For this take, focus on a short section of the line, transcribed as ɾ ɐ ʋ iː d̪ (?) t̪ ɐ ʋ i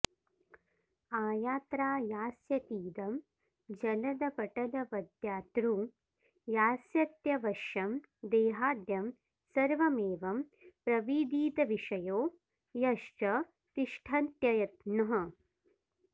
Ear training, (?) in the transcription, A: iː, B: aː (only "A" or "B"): A